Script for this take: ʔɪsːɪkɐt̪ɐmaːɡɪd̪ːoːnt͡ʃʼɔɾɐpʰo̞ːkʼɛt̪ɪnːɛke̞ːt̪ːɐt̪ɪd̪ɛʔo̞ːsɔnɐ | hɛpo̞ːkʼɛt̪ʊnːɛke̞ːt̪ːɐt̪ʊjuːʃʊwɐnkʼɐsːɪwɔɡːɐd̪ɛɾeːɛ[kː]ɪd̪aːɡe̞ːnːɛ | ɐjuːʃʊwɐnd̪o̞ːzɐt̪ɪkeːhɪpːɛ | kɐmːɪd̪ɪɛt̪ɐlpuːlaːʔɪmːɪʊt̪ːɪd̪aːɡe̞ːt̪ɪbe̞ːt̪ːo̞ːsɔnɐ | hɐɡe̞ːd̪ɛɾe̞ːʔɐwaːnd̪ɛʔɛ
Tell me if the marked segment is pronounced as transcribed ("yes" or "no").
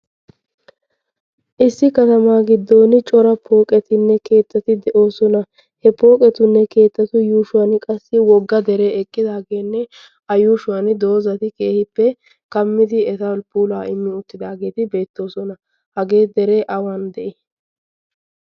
no